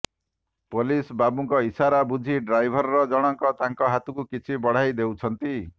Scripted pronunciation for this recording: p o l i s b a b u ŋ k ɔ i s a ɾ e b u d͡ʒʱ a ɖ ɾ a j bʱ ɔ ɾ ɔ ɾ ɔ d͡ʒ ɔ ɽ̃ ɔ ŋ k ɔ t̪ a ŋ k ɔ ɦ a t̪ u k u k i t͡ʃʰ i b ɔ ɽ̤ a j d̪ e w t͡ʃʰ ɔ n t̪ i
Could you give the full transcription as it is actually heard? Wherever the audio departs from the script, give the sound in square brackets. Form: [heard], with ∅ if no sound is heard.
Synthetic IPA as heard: p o l i s b a b u ŋ k ɔ i s a ɾ [a] b u d͡ʒʱ [i] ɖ ɾ a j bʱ ɔ ɾ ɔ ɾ ɔ d͡ʒ ɔ ɽ̃ ɔ ŋ k ɔ t̪ a ŋ k ɔ ɦ a t̪ u k u k i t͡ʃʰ i b ɔ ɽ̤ a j d̪ e w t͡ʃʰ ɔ n t̪ i

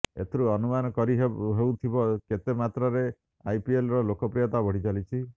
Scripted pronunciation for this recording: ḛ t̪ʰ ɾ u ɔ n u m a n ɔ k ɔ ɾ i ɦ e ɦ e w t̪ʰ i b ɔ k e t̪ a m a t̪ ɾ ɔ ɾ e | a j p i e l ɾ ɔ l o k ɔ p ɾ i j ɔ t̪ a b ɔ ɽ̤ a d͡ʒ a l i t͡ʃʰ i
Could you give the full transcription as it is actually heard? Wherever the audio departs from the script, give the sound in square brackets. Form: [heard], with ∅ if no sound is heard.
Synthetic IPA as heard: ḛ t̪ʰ ɾ u ɔ n u m a n ɔ k ɔ ɾ i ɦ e ɦ e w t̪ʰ i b ɔ k e t̪ [e] m a t̪ ɾ ɔ ɾ e | a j p i e l ɾ ɔ l o k ɔ p ɾ i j ɔ t̪ a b ɔ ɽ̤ [i] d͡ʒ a l i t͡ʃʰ i

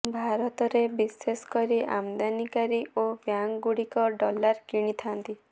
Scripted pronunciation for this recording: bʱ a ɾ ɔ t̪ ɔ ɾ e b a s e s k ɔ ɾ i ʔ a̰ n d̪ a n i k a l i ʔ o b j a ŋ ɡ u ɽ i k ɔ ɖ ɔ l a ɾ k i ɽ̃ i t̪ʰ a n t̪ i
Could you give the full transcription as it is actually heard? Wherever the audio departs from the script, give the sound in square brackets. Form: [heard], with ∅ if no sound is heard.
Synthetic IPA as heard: bʱ a ɾ ɔ t̪ ɔ ɾ e b [i] s e s k ɔ ɾ i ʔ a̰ [m] d̪ a n i k a [ɾ] i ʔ o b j a ŋ ɡ u ɽ i k ɔ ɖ ɔ l a ɾ k i ɽ̃ i t̪ʰ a n t̪ i

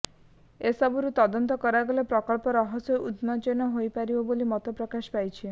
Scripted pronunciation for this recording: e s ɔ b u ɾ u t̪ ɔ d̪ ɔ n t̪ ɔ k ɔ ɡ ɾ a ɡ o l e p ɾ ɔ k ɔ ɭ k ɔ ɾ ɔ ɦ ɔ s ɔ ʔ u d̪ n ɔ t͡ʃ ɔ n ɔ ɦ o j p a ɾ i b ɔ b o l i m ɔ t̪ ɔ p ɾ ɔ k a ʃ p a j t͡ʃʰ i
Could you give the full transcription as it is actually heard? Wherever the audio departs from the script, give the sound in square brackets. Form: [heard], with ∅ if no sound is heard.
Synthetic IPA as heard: e s ɔ b u ɾ u t̪ ɔ d̪ ɔ n t̪ ɔ k ɔ [∅] ɾ a ɡ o l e p ɾ ɔ k ɔ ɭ [p] ɔ ɾ ɔ ɦ ɔ s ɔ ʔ u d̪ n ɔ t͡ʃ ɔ n ɔ ɦ o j p a ɾ i b ɔ b o l i m ɔ t̪ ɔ p ɾ ɔ k a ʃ p a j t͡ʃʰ i

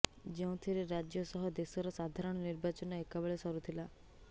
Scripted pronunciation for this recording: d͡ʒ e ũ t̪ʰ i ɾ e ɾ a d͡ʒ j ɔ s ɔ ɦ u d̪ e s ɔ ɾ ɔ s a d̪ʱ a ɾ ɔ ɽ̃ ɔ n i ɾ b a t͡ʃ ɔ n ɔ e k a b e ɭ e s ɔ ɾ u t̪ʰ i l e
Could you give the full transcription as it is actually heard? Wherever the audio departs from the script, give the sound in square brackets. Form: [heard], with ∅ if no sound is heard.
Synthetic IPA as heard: d͡ʒ e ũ t̪ʰ i ɾ e ɾ a d͡ʒ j ɔ s ɔ ɦ [ɔ] d̪ e s ɔ ɾ ɔ s a d̪ʱ a ɾ ɔ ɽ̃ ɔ n i ɾ b a t͡ʃ ɔ n ɔ e k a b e ɭ e s ɔ ɾ u t̪ʰ i l [a]

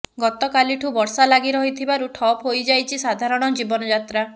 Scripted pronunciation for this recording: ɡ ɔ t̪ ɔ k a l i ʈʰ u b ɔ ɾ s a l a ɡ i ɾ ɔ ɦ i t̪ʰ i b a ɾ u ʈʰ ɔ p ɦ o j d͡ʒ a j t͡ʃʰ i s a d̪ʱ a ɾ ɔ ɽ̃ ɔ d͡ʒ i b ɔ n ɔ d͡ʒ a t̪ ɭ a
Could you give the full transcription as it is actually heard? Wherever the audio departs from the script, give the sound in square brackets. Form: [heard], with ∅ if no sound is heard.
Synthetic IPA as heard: ɡ ɔ t̪ ɔ k a l i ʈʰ u b ɔ ɾ s a l a ɡ i ɾ ɔ ɦ i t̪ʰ i b a ɾ u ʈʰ ɔ p ɦ o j d͡ʒ a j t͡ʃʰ i s a d̪ʱ a ɾ ɔ ɽ̃ ɔ d͡ʒ i b ɔ n ɔ d͡ʒ a t̪ [ɾ] a

